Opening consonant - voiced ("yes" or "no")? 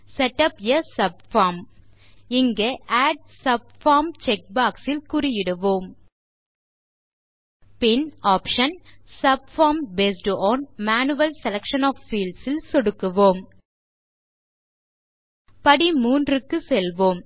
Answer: no